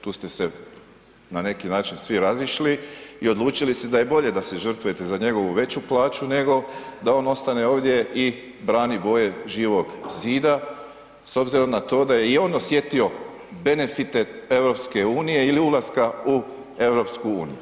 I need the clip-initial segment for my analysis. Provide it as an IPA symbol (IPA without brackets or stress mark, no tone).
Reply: t̪